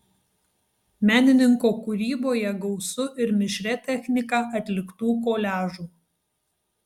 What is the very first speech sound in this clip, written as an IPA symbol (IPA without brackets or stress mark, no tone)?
mʲ